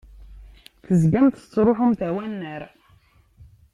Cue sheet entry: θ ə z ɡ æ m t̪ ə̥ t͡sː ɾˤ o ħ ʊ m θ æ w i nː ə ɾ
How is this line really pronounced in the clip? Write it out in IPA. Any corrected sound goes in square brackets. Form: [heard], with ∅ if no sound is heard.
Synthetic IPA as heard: θ ə z ɡ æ m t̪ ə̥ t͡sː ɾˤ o ħ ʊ m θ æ w [æ] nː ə ɾ